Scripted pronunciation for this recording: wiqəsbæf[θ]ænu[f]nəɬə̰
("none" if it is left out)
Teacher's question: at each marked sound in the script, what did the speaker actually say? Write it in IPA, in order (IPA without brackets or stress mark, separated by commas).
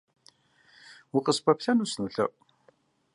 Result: θ, s